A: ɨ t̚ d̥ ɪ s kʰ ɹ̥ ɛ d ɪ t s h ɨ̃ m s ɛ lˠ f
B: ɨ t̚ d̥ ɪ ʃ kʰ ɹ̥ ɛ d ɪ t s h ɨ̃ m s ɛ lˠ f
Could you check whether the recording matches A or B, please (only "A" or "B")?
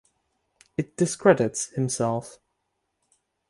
A